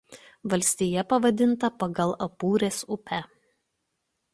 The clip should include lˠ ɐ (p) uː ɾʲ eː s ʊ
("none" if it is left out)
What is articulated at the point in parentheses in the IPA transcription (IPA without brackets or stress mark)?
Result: p